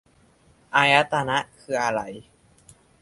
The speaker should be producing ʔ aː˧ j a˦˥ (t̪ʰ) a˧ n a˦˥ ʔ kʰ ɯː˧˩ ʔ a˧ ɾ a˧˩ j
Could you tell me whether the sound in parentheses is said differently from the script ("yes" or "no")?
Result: yes